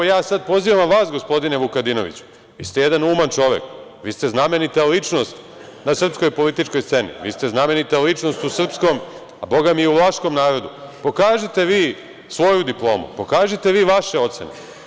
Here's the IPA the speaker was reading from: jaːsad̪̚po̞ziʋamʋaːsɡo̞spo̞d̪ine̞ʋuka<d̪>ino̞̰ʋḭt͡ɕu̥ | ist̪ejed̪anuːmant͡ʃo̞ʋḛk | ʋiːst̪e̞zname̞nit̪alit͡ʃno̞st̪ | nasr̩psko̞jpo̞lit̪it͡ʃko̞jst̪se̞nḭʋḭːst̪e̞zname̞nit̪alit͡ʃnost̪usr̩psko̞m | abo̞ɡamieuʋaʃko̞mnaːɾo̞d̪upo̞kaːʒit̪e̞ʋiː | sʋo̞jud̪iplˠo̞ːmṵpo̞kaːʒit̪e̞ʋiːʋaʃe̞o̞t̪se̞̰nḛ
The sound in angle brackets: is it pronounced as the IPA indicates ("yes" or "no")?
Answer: yes